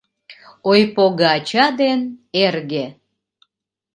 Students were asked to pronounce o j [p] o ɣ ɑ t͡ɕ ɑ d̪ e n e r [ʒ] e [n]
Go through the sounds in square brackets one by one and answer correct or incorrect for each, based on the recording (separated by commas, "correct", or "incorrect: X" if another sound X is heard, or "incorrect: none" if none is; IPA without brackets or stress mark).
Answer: correct, incorrect: ɣ, incorrect: none